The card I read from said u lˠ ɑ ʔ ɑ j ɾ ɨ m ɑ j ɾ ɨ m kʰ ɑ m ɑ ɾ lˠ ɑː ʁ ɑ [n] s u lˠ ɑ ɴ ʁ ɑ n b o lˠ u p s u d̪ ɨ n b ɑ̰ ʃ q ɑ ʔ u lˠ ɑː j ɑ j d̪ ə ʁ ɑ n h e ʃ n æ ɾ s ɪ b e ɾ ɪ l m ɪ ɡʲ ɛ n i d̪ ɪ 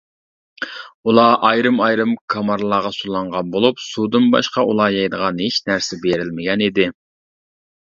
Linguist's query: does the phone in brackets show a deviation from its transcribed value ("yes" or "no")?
yes